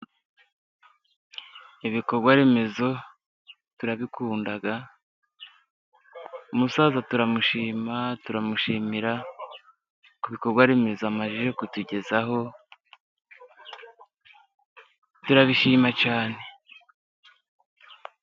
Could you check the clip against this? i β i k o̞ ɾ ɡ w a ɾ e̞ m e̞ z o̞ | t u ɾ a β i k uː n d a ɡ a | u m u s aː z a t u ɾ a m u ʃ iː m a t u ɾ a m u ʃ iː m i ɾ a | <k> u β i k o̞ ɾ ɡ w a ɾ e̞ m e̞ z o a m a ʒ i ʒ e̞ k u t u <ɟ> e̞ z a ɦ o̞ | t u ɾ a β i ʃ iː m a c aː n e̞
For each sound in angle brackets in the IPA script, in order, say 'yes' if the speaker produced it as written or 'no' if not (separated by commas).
yes, yes